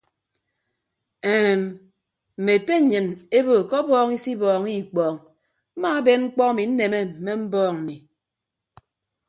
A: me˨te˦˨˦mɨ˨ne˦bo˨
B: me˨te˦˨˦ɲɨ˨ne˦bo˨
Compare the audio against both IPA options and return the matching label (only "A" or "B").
B